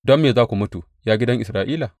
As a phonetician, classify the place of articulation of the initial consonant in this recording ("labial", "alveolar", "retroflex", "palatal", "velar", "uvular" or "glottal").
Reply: alveolar